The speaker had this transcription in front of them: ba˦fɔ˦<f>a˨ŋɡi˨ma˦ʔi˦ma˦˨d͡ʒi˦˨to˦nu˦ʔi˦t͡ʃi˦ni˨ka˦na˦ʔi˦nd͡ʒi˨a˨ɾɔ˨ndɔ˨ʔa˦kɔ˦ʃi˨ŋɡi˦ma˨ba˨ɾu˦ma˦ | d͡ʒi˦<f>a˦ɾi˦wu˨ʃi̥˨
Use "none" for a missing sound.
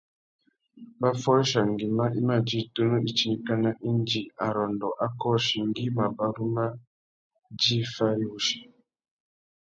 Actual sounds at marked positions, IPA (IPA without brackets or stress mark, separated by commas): ʃ, f